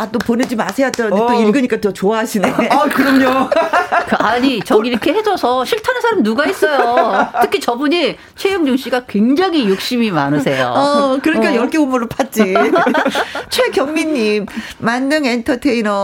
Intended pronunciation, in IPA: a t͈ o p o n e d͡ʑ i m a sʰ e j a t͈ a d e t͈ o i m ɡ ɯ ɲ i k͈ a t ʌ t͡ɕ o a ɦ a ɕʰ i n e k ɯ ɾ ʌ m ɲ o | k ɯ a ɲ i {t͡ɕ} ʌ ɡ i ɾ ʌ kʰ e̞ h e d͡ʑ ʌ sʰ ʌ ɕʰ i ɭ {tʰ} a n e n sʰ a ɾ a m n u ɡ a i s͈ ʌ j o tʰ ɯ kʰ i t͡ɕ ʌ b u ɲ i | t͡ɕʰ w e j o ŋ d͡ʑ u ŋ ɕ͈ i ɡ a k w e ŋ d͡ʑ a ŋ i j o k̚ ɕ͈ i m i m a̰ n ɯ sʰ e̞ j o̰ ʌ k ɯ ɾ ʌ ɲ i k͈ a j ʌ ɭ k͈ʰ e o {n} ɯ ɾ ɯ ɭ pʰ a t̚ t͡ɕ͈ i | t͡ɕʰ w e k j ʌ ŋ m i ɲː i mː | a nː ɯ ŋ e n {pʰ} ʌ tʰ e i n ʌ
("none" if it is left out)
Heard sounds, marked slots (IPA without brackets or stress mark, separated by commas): t͡ɕ, tʰ, m, tʰ